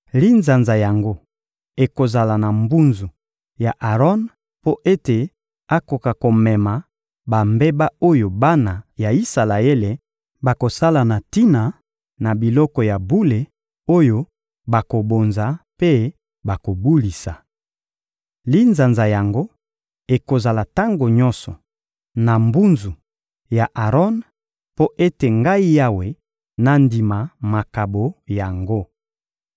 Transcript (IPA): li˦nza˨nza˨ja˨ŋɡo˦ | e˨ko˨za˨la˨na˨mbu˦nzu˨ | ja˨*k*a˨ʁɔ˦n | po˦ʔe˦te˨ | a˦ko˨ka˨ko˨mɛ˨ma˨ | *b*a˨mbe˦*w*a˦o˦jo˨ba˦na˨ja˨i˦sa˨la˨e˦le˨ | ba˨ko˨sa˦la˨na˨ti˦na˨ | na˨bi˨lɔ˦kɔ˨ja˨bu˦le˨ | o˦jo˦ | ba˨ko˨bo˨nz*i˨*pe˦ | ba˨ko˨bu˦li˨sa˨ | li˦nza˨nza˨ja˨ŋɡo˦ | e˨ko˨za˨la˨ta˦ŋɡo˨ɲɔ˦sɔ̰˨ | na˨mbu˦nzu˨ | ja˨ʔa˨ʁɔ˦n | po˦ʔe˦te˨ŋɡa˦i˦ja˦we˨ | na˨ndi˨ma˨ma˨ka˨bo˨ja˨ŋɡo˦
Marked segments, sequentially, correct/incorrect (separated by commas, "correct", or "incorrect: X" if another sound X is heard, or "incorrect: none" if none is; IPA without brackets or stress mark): incorrect: ʔ, correct, incorrect: b, incorrect: a˨